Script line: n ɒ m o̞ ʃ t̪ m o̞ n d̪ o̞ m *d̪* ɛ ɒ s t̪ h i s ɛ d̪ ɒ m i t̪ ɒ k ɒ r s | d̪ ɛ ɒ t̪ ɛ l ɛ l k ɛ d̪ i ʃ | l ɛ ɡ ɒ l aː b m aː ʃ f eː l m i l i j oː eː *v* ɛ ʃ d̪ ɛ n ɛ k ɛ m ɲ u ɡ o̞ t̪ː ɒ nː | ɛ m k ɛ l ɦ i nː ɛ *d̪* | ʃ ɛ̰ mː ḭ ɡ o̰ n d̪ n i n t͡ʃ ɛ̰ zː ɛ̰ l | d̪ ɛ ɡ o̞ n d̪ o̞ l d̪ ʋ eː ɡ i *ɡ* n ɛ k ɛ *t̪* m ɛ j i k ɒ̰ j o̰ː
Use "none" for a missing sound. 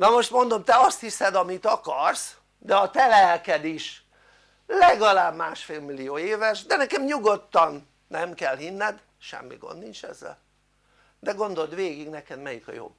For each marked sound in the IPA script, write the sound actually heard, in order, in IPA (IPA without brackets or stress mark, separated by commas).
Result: t̪, v, d̪, ɡ, d̪